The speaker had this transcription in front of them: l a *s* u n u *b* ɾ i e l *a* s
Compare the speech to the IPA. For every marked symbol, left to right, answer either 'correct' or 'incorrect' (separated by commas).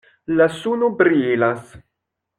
correct, correct, correct